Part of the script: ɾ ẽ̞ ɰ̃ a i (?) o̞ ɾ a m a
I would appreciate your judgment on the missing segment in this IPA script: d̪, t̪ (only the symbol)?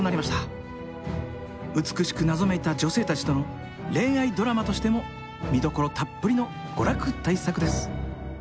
d̪